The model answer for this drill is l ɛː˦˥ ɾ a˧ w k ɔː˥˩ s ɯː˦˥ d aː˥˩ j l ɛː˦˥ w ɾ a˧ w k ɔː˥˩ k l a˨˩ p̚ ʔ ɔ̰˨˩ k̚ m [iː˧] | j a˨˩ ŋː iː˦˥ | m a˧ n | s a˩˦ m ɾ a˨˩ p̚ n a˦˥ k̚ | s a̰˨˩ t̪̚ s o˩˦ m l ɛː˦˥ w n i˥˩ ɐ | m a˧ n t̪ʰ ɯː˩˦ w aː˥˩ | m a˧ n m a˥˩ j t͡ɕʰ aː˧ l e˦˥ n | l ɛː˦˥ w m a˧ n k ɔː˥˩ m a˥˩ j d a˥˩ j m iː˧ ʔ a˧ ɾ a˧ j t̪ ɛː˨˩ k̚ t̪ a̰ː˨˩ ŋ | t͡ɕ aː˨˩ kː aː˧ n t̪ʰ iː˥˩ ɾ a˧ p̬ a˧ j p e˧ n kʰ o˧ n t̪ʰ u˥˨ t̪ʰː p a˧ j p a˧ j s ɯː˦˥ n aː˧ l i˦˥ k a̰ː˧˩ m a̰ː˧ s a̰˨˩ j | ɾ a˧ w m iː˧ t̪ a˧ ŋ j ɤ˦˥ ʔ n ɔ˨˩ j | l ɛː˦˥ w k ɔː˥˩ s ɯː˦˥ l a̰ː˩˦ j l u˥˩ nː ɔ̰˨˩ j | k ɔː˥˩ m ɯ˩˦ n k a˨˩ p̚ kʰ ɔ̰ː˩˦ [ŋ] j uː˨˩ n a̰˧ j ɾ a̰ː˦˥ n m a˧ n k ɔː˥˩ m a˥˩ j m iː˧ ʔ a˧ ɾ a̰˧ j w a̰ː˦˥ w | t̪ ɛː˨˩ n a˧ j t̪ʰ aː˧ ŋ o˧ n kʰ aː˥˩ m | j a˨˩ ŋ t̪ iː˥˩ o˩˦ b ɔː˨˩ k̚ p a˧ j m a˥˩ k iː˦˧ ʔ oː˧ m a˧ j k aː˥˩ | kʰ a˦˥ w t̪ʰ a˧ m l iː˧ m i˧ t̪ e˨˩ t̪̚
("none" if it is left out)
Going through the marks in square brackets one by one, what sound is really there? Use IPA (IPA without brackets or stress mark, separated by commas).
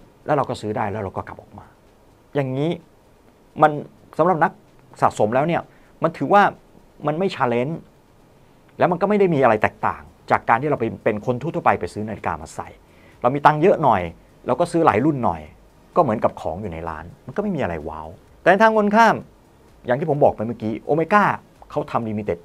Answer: aː˧, ŋ